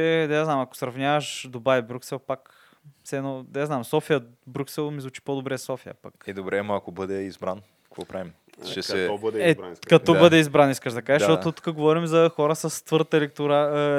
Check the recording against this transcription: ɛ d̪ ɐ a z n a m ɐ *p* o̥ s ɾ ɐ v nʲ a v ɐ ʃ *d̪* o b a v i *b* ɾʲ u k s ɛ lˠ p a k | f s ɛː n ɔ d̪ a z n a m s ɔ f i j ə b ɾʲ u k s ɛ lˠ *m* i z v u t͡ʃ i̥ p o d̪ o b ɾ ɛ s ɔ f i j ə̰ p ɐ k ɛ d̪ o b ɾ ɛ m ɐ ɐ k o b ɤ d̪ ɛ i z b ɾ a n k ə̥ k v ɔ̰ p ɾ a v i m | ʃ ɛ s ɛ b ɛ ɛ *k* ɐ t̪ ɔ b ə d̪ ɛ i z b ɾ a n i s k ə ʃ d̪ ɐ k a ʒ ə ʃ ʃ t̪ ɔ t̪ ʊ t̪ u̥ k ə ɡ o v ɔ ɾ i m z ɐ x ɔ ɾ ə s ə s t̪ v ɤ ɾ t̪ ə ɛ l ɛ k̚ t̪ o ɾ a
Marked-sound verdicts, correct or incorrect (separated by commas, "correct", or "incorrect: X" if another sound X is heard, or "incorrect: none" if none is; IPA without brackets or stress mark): incorrect: k, correct, correct, correct, correct